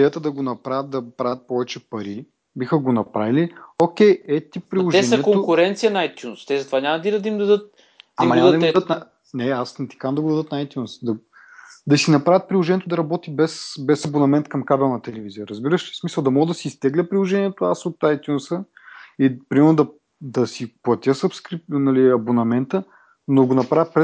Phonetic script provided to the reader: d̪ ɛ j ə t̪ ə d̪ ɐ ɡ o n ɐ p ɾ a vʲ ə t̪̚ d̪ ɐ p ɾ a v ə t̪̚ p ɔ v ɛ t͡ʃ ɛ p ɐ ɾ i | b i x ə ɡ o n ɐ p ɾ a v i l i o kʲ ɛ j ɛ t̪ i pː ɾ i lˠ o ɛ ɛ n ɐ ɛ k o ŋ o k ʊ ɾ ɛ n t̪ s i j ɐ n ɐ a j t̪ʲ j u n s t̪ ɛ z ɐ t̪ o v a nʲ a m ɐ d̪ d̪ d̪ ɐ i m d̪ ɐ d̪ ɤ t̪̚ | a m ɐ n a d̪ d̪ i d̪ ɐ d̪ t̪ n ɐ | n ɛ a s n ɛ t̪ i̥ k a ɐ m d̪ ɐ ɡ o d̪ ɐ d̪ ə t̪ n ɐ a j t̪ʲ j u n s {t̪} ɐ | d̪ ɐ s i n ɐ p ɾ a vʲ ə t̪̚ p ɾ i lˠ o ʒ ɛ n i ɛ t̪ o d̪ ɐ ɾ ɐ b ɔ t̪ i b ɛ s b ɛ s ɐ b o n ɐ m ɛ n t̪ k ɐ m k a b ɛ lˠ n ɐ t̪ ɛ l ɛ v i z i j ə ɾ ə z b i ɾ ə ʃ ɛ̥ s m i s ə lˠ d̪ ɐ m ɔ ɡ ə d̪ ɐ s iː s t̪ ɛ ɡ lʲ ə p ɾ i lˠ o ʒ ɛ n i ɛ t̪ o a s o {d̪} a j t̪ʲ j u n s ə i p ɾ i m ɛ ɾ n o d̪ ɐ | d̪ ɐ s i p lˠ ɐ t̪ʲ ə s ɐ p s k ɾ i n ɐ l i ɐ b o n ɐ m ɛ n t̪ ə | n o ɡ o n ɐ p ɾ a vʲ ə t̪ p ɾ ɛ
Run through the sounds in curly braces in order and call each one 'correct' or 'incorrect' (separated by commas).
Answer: incorrect, incorrect